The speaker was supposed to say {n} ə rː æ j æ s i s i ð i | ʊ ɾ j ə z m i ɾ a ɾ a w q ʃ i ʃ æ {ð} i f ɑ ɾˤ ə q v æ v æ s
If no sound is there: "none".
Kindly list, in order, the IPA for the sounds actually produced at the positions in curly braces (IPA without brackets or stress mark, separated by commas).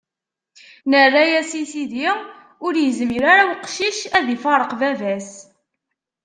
n, ð